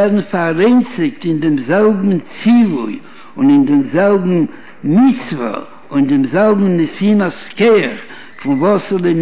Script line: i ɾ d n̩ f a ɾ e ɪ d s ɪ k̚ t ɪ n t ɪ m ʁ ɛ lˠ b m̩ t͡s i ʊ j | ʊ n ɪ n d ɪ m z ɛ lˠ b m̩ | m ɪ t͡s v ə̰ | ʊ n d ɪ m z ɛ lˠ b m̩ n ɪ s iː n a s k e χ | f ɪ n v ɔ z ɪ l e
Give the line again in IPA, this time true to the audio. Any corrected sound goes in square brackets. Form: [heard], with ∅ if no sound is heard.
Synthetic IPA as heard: [ɛ] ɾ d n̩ f a ɾ e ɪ [n] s ɪ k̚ t ɪ n [d] ɪ m [z] ɛ lˠ b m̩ t͡s i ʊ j | ʊ n ɪ n d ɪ m z ɛ lˠ b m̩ | m ɪ t͡s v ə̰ | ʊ n d ɪ m z ɛ lˠ b m̩ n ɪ s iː n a s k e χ | f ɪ n v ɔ [s] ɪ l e